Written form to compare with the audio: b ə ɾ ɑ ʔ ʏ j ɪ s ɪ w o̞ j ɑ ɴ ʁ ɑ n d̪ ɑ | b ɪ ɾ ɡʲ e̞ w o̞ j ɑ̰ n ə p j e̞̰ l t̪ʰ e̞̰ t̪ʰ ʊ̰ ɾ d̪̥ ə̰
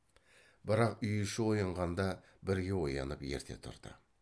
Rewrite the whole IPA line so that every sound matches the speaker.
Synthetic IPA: b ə ɾ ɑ q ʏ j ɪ ʃ ɪ w o̞ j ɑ ɴ ʁ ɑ n d̪ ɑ | b ɪ ɾ ɡʲ e̞ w o̞ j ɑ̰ n ə p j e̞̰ ɾ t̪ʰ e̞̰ t̪ʰ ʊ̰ ɾ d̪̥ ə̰